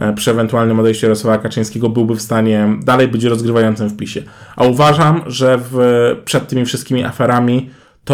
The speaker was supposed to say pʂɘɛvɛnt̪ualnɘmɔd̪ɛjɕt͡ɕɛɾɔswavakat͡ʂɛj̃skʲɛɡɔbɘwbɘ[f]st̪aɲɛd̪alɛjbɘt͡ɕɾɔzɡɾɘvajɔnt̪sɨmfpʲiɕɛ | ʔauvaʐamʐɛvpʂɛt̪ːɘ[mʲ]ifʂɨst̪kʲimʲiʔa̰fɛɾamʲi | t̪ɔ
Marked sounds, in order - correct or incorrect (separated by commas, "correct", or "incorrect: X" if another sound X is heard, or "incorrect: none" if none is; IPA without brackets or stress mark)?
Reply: correct, correct